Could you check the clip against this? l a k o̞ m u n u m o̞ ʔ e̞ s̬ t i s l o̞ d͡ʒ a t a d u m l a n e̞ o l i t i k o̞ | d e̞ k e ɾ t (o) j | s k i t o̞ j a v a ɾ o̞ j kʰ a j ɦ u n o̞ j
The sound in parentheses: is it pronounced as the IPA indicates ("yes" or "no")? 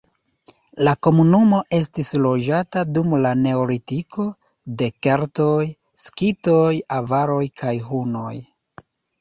yes